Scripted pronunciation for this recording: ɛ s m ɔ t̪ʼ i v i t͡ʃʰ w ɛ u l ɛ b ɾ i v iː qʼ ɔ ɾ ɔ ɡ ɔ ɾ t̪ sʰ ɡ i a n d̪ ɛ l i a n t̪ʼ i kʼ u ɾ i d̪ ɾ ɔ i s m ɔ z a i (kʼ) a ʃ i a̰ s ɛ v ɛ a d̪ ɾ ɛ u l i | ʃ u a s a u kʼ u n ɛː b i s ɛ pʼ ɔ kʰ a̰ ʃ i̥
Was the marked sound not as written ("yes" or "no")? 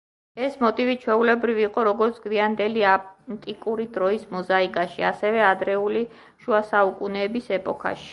no